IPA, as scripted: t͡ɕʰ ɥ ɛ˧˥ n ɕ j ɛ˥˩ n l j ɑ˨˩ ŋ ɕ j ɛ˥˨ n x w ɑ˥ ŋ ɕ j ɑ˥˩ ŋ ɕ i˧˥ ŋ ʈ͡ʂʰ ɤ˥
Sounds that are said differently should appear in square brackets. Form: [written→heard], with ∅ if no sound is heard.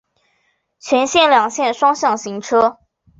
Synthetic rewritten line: t͡ɕʰ ɥ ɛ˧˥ n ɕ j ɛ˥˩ n l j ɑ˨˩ ŋ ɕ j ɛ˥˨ n [x→ʂ] w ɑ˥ ŋ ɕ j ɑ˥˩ ŋ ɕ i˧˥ ŋ ʈ͡ʂʰ ɤ˥